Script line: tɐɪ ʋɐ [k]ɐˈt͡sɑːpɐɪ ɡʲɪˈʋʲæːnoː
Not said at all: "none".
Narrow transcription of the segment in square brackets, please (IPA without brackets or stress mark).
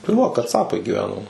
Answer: k